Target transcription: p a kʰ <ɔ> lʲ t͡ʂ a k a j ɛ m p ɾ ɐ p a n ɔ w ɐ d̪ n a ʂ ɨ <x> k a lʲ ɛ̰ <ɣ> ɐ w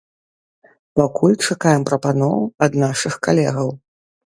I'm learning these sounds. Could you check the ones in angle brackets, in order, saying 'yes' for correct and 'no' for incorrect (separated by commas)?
no, yes, yes